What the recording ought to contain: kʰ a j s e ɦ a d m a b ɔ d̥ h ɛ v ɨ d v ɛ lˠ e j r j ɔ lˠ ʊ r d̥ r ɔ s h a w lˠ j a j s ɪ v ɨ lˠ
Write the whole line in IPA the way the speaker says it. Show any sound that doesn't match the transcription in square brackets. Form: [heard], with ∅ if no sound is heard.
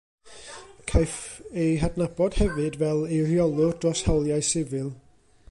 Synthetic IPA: kʰ a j [f] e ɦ a d [n] a b ɔ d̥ h ɛ v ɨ d v ɛ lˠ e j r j ɔ lˠ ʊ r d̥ r ɔ s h a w lˠ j a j s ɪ v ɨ lˠ

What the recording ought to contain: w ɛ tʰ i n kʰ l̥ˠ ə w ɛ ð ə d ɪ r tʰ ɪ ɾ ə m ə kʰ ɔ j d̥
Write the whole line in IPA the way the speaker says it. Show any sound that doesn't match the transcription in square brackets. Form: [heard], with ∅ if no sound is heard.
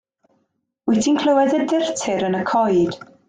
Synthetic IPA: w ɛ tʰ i n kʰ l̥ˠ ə w ɛ ð ə d ɪ r tʰ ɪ ɾ ə [n] ə kʰ ɔ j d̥

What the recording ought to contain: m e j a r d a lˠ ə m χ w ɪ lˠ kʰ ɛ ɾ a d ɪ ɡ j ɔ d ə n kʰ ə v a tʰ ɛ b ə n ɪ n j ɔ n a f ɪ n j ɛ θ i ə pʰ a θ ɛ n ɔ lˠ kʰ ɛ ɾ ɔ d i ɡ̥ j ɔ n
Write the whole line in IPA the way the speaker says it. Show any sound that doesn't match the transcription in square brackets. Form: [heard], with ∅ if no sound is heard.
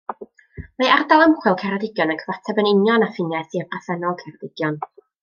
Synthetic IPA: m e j a r d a lˠ ə m χ w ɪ lˠ kʰ ɛ ɾ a d ɪ ɡ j ɔ [n] ə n kʰ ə v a tʰ ɛ b ə n ɪ n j ɔ n a f ɪ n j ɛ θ i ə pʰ a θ ɛ n ɔ lˠ kʰ ɛ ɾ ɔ d [ɪ] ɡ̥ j ɔ n

